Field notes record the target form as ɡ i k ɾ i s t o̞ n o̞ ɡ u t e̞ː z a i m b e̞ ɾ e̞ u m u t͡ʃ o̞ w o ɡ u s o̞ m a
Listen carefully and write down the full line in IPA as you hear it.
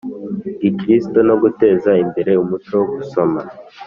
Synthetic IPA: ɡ i k ɾ i s t o̞ n o̞ ɡ u t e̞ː z a i m b e̞ ɾ e̞ u m u t͡ʃ o̞ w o ɡ u s o̞ m a